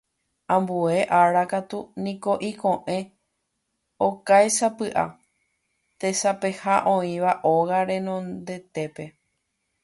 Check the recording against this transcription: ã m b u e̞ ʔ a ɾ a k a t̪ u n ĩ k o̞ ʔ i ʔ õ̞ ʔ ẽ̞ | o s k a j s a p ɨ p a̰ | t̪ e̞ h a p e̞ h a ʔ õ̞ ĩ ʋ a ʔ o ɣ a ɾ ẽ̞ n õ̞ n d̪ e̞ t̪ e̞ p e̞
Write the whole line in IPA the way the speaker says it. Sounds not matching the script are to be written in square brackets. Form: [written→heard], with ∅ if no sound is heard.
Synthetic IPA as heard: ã m b u e̞ ʔ a ɾ a k a t̪ u n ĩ k o̞ ʔ i [ʔ→k] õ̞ ʔ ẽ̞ | o [s→∅] k a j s a p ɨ [p→ʔ] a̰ | t̪ e̞ [h→s] a p e̞ h a ʔ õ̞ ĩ ʋ a ʔ o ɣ a ɾ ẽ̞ n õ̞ n d̪ e̞ t̪ e̞ p e̞